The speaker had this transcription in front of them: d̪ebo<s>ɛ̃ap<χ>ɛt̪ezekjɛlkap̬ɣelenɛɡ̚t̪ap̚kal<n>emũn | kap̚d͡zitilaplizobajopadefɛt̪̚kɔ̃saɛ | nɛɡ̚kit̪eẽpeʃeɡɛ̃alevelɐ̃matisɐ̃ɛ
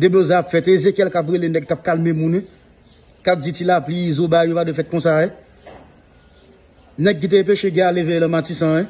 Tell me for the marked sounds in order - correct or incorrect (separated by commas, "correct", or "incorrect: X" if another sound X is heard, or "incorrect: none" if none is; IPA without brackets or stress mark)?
incorrect: z, incorrect: f, incorrect: m